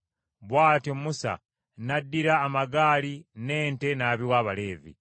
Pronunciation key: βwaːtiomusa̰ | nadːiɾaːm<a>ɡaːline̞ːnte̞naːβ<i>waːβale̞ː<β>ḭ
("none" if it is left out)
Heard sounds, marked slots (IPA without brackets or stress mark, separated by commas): a, i, v